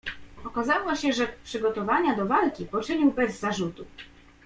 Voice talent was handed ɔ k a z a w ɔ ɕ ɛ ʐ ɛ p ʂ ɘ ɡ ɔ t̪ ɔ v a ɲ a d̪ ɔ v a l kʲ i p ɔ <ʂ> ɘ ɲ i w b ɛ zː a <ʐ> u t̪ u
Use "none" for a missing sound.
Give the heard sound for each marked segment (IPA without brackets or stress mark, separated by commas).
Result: t͡ʂ, ʐ